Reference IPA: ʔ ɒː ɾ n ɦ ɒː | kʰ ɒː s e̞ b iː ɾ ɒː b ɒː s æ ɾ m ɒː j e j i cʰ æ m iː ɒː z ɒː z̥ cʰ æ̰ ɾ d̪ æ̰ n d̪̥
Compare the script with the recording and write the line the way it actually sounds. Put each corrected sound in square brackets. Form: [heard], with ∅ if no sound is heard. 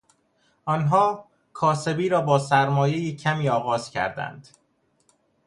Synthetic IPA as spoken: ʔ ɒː [∅] n ɦ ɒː | kʰ ɒː s e̞ b iː ɾ ɒː b ɒː s æ ɾ m ɒː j e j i cʰ æ m iː ɒː [ɣ] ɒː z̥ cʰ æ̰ ɾ d̪ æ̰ n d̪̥